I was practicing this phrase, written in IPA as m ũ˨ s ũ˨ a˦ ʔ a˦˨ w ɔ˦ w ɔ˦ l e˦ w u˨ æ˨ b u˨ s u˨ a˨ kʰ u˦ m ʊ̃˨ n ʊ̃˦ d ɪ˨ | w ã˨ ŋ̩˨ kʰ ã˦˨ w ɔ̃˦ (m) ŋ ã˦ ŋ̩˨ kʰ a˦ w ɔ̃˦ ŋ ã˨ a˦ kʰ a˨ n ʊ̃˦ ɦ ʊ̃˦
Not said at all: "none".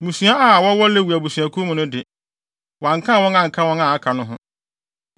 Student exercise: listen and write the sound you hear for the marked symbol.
none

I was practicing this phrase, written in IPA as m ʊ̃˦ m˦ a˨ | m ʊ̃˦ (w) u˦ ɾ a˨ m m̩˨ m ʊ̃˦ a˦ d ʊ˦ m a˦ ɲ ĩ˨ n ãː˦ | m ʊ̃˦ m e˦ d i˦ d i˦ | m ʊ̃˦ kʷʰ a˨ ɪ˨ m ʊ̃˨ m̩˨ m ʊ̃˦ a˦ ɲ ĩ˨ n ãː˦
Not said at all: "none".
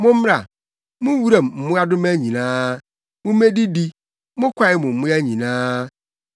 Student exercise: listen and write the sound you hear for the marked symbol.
w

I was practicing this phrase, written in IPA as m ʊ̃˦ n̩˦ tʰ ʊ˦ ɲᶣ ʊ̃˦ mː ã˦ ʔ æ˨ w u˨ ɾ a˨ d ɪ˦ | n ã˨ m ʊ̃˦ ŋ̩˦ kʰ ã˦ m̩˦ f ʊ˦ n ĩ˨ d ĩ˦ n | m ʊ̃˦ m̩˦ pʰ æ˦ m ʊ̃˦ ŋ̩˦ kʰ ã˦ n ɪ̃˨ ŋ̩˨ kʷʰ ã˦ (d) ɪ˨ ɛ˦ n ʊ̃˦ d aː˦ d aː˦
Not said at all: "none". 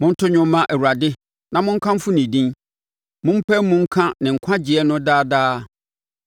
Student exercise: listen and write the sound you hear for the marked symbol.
d͡ʑ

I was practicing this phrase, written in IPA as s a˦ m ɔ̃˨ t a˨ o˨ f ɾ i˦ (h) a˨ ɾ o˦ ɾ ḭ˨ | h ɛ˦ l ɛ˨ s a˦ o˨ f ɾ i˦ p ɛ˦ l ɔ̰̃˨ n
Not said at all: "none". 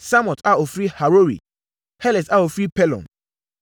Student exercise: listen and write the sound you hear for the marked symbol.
h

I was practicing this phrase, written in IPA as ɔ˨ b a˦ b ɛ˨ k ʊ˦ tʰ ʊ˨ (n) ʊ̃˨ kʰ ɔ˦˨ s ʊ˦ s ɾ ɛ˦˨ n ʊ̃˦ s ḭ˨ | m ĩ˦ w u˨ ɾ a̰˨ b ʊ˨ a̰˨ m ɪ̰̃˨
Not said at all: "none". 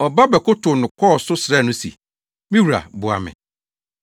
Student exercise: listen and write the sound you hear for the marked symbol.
n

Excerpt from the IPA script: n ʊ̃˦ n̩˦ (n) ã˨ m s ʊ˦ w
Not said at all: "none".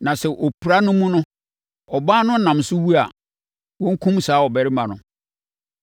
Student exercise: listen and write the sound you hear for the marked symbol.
n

